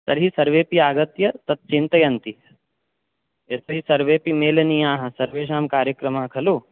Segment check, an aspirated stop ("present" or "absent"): present